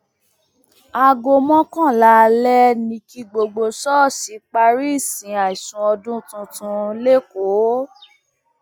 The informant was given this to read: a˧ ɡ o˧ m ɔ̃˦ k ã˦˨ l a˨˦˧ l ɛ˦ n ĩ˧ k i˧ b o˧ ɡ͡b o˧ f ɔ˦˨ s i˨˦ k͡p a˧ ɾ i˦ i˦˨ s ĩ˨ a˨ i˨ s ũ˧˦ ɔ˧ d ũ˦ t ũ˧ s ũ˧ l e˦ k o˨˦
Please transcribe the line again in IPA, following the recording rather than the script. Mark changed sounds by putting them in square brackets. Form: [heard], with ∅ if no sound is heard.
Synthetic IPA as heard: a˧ ɡ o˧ m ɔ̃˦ k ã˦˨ l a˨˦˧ l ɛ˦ n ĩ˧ k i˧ [ɡ͡b] o˧ ɡ͡b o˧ [s] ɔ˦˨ s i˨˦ k͡p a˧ ɾ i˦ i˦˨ s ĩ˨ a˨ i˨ s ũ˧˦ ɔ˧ d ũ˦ t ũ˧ [t] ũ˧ l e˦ k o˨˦

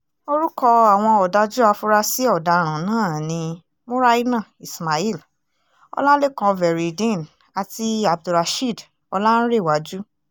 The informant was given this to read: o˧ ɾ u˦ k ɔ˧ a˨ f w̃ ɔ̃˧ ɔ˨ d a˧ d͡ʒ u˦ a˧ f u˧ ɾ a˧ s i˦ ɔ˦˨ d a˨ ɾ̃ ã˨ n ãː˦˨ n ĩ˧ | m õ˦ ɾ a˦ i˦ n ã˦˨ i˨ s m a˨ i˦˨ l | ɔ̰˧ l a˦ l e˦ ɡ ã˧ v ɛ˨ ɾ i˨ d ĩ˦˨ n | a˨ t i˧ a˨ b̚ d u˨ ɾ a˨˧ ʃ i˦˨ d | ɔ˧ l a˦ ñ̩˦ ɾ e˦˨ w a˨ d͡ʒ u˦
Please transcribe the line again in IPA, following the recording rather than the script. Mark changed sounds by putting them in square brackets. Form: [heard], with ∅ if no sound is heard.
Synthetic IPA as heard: o˧ ɾ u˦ k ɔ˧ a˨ [∅] w̃ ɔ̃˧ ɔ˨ d a˧ d͡ʒ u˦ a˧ f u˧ ɾ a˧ s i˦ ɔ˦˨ d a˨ ɾ̃ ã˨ n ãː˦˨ n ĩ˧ | m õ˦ ɾ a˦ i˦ n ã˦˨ i˨ s m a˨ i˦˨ l | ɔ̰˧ l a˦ l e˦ [k] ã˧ v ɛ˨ ɾ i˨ d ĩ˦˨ n | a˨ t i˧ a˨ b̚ d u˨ ɾ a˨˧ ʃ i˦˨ d | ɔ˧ l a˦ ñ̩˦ ɾ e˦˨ w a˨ d͡ʒ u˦

